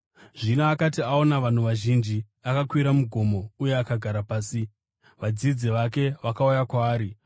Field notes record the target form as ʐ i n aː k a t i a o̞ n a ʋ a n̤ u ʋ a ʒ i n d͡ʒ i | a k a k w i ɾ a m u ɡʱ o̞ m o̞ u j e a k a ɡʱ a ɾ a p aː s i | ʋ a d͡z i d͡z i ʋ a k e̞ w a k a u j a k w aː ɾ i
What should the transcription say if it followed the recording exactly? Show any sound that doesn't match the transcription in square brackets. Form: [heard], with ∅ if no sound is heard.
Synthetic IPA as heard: ʐ i n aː k a t i a o̞ n a ʋ a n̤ u ʋ a ʒ i n d͡ʒ i | a k a k w i ɾ a m u ɡʱ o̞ m o̞ u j e a k a ɡʱ a ɾ a p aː s i | ʋ a d͡z i d͡z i ʋ a k e̞ [ʋ] a k a u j a k w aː ɾ i